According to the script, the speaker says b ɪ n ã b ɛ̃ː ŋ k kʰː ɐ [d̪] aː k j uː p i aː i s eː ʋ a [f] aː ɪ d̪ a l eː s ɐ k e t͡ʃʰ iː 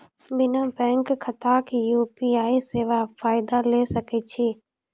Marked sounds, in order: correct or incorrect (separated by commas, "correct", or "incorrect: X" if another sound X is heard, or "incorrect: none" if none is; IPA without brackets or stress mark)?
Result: incorrect: t̪, correct